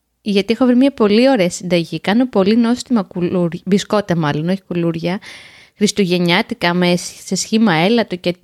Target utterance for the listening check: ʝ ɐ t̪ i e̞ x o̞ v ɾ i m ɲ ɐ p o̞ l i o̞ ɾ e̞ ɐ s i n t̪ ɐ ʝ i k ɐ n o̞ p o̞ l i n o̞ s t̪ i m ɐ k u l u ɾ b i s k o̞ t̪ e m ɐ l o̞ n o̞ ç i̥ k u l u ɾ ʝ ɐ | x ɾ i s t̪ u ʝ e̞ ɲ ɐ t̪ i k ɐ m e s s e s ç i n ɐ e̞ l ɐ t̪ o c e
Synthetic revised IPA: ʝ ɐ t̪ i e̞ x o̞ v ɾ i m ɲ ɐ p o̞ l i o̞ ɾ e̞ ɐ s i n d̪ ɐ ʝ i k ɐ n o̞ p o̞ l i n o̞ s t̪ i m ɐ k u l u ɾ b i s k o̞ t̪ e m ɐ l o̞ n o̞ ç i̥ k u l u ɾ ʝ ɐ | x ɾ i s t̪ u ʝ e̞ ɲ ɐ t̪ i k ɐ m e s s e s ç i m ɐ e̞ l ɐ t̪ o c e